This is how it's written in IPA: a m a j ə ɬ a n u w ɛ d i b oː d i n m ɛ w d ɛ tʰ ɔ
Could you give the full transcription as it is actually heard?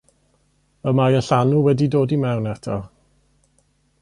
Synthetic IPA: ə m a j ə ɬ a n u w ɛ d i d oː d i m ɛ w n ɛ tʰ ɔ

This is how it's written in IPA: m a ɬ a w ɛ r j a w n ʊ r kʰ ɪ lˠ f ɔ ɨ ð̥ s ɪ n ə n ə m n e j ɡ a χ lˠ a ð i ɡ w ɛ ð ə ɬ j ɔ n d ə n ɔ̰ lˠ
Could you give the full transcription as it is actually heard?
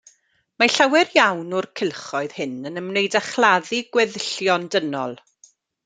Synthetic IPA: m a ɬ a w ɛ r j a w n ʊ r kʰ ɪ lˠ χ ɔ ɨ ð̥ h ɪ n ə n ə m n e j d a χ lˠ a ð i ɡ w ɛ ð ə ɬ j ɔ n d ə n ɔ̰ lˠ

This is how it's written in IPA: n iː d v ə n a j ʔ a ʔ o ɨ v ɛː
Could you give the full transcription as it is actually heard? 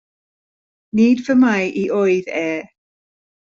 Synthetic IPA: n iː d v ə m a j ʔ i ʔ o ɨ ð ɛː

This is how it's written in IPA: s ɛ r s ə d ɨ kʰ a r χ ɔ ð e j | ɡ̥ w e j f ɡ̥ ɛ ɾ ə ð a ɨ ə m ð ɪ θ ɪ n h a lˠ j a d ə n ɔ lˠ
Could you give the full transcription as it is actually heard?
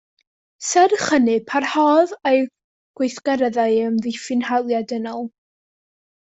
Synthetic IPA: s ɛ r χ ə n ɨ pʰ a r h ɔ ð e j | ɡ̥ w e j θ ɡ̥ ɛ ɾ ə ð a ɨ ə m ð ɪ f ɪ n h a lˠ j a d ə n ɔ lˠ

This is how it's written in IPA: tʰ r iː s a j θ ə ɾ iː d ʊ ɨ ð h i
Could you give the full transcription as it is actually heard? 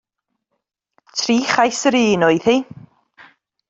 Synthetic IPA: tʰ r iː χ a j s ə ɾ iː n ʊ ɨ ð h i

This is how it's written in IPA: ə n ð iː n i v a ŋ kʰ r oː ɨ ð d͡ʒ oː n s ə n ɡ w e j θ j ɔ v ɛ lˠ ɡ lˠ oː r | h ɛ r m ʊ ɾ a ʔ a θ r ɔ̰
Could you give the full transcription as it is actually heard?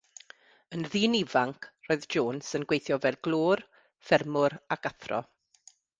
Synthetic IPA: ə n ð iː n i v a ŋ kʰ r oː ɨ ð d͡ʒ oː n s ə n ɡ w e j θ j ɔ v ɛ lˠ ɡ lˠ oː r | f ɛ r m ʊ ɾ a k a θ r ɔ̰

